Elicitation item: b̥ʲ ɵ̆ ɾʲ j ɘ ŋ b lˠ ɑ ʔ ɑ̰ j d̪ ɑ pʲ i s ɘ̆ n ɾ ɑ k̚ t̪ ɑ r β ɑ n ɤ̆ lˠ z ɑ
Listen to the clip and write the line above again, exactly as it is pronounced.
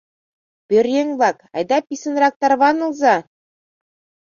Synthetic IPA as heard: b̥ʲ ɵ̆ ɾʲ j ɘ ŋ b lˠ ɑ k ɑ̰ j d̪ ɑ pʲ i s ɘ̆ n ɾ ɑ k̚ t̪ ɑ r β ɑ n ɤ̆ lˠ z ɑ